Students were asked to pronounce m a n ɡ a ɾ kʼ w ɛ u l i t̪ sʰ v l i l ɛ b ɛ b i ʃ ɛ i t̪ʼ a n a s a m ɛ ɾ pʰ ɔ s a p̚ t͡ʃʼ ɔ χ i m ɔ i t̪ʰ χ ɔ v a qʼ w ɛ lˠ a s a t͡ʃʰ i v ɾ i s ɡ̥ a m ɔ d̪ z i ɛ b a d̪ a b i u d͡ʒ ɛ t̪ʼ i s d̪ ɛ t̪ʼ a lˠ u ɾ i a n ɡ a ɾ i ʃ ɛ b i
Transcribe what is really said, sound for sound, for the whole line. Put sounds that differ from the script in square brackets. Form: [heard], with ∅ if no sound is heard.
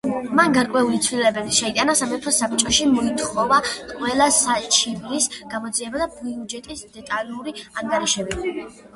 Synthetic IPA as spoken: m a n ɡ a ɾ kʼ w ɛ u l i t̪ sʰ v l i l ɛ b ɛ b i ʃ ɛ i t̪ʼ a n a s a m ɛ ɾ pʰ ɔ s a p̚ t͡ʃʼ ɔ [ʃ] i m ɔ i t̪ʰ χ ɔ v a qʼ w ɛ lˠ a s a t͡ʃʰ i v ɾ i s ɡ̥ a m ɔ d̪ z i ɛ b a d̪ a b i u d͡ʒ ɛ t̪ʼ i s d̪ ɛ t̪ʼ a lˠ u ɾ i a [ŋ] ɡ a ɾ i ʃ ɛ b i